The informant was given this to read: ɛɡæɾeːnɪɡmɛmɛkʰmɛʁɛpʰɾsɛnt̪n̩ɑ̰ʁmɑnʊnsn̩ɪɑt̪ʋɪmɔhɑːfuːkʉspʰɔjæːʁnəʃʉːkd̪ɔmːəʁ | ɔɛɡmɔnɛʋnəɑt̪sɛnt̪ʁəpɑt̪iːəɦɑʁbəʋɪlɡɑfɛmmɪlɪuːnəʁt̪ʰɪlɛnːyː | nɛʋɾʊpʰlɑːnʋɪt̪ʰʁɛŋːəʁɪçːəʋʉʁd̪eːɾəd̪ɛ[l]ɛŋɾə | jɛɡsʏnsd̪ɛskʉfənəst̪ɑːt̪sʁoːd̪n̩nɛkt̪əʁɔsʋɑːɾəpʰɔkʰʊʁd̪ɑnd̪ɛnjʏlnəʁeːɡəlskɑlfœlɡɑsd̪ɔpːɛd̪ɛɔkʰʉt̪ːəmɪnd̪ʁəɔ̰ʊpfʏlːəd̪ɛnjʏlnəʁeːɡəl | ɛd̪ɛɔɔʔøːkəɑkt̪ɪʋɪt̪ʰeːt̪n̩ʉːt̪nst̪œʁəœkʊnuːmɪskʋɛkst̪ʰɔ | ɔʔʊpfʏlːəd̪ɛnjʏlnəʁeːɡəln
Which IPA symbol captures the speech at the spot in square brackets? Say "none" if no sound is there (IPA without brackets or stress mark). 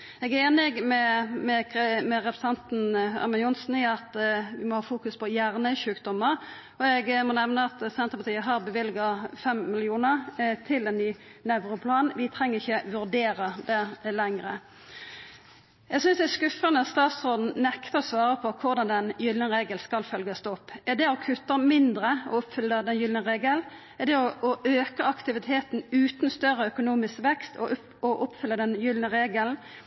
l